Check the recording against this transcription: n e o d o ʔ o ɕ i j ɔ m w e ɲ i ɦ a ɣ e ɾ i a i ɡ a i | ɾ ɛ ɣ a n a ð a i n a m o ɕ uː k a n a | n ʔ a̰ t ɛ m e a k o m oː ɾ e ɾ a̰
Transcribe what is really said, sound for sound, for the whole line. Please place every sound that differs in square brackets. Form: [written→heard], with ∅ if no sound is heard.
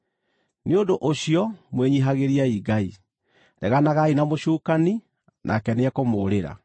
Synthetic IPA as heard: n e o d o ʔ o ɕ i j ɔ m w e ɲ i ɦ a ɣ e ɾ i a i ɡ a i | ɾ ɛ ɣ a n a [ð→ɣ] a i n a m o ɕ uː k a n [a→i] | n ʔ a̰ [t→k] ɛ [m→n] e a k o m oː ɾ e ɾ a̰